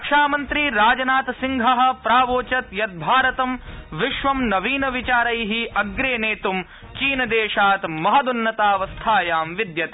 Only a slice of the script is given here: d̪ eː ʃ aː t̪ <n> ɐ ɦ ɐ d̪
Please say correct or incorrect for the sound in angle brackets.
incorrect